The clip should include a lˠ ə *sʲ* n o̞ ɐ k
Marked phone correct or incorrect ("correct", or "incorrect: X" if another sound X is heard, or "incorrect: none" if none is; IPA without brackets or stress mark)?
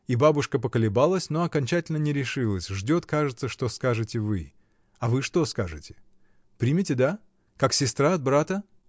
correct